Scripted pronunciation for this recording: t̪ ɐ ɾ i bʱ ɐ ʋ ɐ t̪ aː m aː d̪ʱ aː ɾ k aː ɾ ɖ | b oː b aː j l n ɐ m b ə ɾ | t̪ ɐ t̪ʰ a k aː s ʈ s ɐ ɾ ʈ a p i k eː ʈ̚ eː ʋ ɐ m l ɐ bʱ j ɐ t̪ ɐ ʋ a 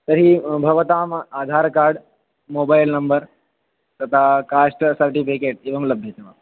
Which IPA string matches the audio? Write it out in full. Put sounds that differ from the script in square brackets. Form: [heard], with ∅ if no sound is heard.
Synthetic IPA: t̪ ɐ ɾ i bʱ ɐ ʋ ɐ t̪ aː m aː d̪ʱ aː ɾ k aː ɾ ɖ | [m] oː b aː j l n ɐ m b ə ɾ | t̪ ɐ t̪ʰ a k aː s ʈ s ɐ ɾ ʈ [i] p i k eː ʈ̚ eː ʋ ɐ m l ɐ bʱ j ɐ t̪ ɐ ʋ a